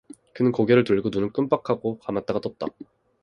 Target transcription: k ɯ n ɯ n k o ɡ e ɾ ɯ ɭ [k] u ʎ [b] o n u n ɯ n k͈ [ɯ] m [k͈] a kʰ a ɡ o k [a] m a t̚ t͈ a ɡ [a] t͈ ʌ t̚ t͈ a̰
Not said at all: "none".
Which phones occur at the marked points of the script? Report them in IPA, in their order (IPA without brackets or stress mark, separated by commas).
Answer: t, ɡ, ɯ, p͈, a, a